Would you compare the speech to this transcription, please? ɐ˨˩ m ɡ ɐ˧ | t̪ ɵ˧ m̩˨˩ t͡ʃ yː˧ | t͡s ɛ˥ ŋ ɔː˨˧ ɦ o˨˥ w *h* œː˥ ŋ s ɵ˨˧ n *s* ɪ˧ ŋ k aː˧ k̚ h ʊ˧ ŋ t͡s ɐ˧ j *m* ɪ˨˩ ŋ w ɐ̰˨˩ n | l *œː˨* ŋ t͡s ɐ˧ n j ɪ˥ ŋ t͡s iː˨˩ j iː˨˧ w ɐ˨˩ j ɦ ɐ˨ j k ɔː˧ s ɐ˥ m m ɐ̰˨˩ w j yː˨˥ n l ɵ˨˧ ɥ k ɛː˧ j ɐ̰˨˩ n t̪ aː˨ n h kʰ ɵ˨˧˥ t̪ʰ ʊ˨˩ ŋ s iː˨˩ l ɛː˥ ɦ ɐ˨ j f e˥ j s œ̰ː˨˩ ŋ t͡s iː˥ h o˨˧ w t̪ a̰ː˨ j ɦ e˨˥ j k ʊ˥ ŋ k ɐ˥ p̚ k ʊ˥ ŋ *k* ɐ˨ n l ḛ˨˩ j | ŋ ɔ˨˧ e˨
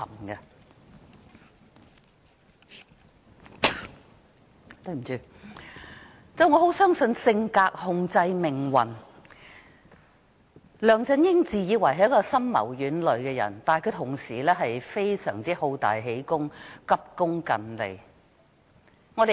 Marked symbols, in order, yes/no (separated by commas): no, yes, yes, yes, yes